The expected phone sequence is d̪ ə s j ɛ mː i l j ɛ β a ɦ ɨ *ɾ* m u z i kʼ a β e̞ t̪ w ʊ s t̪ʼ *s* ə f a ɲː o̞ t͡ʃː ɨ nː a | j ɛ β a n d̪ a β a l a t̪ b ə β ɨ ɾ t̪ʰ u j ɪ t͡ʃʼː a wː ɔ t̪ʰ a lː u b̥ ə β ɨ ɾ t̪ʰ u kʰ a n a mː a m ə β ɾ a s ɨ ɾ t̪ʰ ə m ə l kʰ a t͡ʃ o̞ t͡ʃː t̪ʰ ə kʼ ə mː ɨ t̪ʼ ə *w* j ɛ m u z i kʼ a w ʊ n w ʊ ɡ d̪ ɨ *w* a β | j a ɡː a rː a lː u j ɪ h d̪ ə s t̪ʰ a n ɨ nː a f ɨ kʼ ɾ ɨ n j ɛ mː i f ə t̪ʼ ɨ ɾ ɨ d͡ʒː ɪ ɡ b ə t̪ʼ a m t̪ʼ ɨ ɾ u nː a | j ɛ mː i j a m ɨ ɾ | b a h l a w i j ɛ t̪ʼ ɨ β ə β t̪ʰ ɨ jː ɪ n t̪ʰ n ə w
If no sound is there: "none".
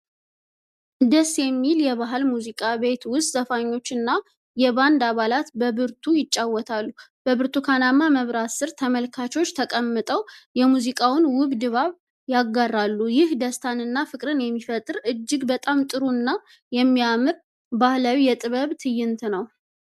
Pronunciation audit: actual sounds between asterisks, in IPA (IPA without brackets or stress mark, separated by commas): l, z, w, β